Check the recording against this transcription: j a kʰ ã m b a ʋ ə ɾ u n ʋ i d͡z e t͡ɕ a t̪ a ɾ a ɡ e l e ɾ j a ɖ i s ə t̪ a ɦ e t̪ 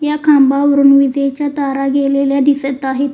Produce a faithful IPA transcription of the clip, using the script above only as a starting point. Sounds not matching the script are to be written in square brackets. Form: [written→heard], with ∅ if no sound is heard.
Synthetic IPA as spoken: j a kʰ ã m b a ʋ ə ɾ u n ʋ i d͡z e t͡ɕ a t̪ a ɾ a ɡ e l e [ɾ→l] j a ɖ i s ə t̪ a ɦ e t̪

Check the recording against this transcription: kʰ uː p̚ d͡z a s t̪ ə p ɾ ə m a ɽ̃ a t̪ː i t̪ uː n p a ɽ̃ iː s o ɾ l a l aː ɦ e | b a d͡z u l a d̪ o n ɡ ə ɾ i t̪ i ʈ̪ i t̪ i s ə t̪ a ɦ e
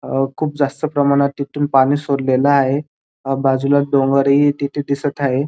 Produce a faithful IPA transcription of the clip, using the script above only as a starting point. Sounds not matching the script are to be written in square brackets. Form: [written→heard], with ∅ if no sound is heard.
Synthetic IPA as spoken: kʰ uː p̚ d͡z a s t̪ ə p ɾ ə m a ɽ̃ a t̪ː i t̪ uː n p a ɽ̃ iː s o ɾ l [a→e] l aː ɦ e | b a d͡z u l a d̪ o [n→ŋ] ɡ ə ɾ i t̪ i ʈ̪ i [t̪→d̪] i s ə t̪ a ɦ e

